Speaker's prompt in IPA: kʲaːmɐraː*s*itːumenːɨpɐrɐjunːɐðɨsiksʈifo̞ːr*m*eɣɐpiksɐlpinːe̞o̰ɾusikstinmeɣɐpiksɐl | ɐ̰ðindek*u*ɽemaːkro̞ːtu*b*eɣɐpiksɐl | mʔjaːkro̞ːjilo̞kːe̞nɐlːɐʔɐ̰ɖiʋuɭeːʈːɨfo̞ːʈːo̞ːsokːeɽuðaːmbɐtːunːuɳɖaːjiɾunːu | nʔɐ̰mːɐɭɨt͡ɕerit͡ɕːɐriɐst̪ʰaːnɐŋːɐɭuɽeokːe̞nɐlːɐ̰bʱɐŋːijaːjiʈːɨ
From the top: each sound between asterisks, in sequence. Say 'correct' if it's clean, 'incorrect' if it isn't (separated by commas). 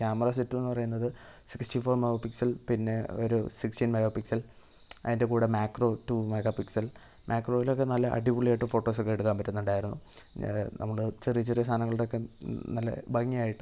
correct, correct, incorrect, incorrect